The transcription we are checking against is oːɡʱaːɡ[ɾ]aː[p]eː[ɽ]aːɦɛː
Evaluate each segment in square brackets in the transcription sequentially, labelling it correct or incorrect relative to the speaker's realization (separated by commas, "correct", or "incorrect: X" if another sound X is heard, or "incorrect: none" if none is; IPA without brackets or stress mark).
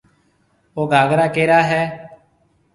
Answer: correct, incorrect: k, incorrect: ɾ